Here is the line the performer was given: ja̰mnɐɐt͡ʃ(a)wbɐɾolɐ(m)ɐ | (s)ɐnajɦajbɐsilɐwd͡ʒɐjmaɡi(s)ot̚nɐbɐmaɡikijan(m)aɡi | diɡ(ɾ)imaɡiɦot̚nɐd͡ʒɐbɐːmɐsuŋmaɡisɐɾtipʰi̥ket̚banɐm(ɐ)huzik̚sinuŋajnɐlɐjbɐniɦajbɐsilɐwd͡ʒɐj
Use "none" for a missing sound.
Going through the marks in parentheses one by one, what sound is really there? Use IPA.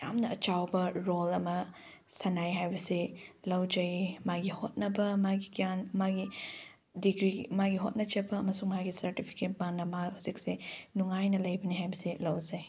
a, m, s, h, m, ɾ, a

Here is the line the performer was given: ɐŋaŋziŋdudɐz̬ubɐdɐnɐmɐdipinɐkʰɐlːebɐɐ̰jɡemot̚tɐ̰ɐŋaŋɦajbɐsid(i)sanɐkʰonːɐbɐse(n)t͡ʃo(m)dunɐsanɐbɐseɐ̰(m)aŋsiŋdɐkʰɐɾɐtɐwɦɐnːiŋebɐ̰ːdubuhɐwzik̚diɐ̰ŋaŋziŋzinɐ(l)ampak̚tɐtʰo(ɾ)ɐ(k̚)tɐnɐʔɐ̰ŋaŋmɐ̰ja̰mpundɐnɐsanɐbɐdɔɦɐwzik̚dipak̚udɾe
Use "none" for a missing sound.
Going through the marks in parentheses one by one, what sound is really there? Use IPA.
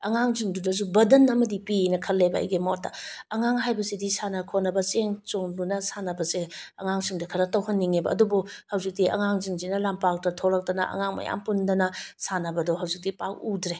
i, ŋ, ŋ, ŋ, l, l, k̚

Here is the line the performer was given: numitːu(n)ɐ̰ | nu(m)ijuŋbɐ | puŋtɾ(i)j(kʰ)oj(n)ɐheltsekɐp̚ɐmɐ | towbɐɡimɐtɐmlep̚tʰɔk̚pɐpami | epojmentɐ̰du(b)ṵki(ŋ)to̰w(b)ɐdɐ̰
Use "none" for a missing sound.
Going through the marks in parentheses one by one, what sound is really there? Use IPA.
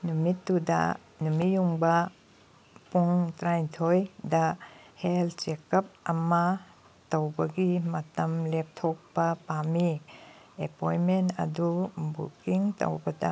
d, m, a, tʰ, d, b, ŋ, b

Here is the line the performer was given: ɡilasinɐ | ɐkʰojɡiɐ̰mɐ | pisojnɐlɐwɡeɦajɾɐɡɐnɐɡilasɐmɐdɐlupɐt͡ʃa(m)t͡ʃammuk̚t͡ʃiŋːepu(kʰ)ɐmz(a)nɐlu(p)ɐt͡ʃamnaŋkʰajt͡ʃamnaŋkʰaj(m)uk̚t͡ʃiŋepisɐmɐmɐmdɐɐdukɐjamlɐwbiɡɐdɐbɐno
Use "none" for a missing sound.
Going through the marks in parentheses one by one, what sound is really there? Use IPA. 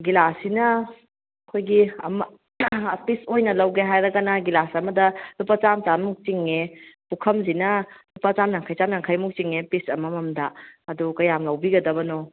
m, kʰ, i, p, m

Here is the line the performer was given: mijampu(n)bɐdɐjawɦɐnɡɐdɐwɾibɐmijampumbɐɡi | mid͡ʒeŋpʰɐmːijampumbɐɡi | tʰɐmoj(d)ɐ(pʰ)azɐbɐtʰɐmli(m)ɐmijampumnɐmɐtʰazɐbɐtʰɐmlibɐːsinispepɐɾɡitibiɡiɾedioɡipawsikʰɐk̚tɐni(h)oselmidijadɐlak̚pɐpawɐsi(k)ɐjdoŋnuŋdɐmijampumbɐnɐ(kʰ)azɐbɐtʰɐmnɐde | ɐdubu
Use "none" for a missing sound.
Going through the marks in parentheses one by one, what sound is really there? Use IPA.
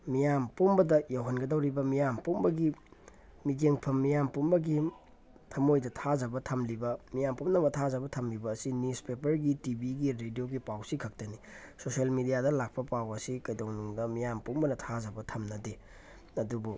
m, d, tʰ, b, s, k, tʰ

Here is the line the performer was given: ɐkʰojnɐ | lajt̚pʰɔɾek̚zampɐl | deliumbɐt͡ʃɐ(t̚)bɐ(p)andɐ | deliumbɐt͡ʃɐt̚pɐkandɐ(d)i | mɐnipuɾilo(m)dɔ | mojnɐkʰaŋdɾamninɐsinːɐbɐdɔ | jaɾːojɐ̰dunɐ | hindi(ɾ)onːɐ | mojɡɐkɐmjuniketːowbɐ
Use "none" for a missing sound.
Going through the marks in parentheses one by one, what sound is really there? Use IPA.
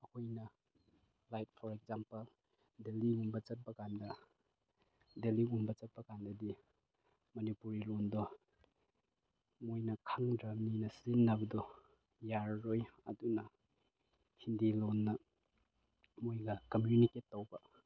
t̚, k, d, n, l

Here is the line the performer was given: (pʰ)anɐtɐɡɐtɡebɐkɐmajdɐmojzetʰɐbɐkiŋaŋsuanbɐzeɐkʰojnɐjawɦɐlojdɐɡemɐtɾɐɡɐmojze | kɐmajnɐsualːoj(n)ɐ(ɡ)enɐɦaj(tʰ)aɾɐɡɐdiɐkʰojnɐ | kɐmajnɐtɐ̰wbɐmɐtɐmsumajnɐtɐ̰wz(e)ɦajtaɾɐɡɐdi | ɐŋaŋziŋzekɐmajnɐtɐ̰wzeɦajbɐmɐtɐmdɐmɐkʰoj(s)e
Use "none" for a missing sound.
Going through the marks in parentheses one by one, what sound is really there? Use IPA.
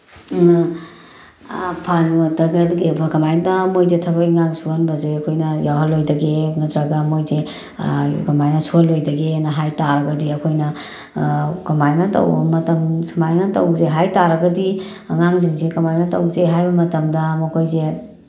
pʰ, d, ɡ, t, e, z

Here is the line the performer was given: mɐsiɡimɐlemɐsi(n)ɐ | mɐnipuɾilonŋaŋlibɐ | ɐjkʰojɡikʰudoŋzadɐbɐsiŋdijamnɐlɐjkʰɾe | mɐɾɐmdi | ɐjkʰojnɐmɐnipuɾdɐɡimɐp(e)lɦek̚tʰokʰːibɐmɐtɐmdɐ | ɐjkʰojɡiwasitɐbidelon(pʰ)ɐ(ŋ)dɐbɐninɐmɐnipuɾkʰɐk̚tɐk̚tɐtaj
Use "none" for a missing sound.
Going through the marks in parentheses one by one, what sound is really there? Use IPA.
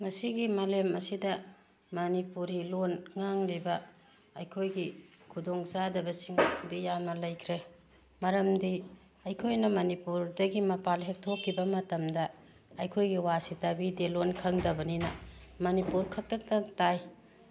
d, a, kʰ, ŋ

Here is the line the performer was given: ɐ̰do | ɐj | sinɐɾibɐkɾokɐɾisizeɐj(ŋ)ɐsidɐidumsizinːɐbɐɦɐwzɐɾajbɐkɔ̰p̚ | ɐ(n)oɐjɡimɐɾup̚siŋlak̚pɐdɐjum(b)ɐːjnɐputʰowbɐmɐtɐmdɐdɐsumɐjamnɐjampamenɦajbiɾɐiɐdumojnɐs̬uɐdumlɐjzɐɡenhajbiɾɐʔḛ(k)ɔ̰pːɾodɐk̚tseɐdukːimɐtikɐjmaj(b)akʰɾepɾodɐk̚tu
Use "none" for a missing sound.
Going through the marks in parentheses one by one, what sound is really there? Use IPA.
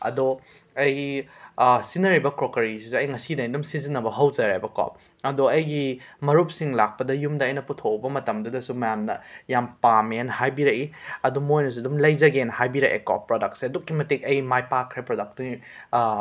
ŋ, d, d, k, p

